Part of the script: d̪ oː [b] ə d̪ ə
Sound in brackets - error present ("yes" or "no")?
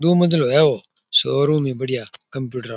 yes